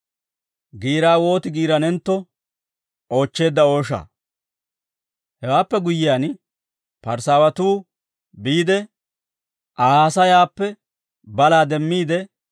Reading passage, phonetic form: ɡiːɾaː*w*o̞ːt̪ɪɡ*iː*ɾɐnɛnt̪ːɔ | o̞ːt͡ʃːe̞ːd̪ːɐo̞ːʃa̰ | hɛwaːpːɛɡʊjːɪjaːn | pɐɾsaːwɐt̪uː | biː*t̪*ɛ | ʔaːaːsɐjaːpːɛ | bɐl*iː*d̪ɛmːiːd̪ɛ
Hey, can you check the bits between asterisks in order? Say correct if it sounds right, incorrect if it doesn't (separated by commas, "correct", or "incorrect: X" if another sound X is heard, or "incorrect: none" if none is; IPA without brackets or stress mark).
correct, correct, incorrect: d̪, incorrect: aː